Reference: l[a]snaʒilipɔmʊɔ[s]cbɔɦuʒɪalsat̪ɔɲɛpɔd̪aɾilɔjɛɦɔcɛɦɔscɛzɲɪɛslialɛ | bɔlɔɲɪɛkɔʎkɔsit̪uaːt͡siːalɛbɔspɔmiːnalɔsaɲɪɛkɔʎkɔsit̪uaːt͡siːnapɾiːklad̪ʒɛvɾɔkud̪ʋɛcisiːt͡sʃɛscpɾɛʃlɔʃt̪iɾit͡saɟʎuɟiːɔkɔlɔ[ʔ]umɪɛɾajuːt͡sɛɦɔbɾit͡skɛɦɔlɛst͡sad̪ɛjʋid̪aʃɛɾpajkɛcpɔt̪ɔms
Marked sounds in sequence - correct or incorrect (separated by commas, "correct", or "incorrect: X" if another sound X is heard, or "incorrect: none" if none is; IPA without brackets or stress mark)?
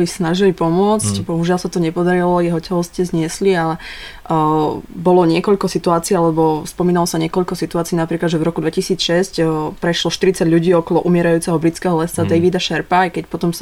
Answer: incorrect: i, incorrect: t͡s, correct